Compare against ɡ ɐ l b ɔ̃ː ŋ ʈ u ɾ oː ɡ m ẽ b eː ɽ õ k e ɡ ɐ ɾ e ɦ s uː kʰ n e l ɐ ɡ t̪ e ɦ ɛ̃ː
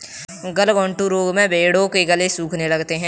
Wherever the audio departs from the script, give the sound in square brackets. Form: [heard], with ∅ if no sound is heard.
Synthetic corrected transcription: ɡ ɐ l [ɡ] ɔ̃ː [ɳ] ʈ u ɾ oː ɡ m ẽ b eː ɽ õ k e ɡ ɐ [l] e [∅] s uː kʰ n e l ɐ ɡ t̪ e ɦ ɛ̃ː